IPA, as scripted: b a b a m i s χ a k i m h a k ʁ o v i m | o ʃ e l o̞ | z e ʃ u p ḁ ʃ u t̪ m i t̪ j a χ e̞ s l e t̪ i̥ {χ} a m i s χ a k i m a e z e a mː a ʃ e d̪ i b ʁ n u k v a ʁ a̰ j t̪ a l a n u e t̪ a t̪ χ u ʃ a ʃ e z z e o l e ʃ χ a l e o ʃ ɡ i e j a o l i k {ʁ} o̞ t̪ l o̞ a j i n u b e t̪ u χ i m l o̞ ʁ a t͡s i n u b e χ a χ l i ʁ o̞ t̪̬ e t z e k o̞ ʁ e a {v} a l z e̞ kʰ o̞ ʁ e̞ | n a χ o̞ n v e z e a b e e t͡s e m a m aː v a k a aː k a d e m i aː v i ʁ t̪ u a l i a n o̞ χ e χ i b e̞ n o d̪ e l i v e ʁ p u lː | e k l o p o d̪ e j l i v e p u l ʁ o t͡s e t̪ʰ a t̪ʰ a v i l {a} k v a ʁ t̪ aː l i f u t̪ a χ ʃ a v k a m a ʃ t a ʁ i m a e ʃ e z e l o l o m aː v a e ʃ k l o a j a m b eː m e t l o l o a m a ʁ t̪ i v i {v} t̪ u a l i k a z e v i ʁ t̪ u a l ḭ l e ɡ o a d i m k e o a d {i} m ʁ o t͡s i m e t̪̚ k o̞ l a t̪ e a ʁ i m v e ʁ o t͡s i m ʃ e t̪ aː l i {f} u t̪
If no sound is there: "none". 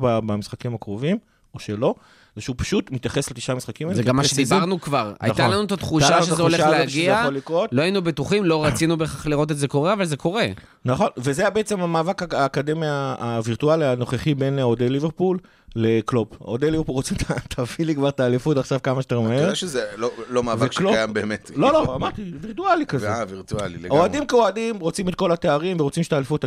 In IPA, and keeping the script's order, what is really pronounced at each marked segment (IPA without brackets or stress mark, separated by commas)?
ʃ, ʁ, v, i, ʁ, i, f